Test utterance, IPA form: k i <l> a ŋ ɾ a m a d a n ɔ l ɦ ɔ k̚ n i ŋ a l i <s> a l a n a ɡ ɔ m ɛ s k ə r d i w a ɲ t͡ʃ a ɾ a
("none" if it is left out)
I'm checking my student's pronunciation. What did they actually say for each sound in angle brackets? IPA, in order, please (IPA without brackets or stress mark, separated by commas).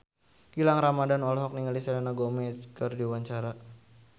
l, s